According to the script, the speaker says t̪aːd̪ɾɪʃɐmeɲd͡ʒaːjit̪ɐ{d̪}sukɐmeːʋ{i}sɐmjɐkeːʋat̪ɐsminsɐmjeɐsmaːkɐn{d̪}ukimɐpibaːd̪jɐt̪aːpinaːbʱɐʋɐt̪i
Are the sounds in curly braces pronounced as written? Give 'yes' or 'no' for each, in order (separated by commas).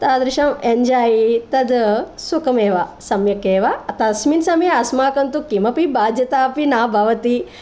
yes, no, no